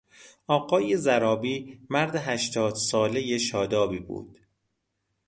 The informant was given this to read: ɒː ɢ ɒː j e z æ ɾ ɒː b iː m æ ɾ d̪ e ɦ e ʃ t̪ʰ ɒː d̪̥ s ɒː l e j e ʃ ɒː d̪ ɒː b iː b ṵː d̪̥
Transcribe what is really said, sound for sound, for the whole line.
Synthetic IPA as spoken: ɒː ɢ ɒː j e z æ ɾ ɒː b iː m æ ɾ d̪ e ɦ æ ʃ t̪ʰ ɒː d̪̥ s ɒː l e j e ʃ ɒː d̪ ɒː b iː b ṵː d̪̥